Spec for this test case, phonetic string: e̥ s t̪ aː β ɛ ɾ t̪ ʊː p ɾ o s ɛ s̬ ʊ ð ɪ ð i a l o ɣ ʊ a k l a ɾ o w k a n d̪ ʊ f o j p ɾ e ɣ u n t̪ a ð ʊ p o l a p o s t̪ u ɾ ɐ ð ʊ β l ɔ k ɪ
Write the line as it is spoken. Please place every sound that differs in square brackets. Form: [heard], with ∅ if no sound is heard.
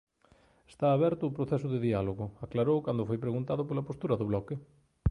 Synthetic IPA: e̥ s t̪ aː β ɛ ɾ t̪ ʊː p ɾ o [θ] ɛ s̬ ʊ ð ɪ ð i a l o ɣ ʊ a k l a ɾ o w k a n d̪ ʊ f o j p ɾ e ɣ u n t̪ a ð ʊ p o l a p o s t̪ u ɾ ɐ ð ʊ β l ɔ k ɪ